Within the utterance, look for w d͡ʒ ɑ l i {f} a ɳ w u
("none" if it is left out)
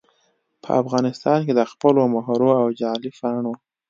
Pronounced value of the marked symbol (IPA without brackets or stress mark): f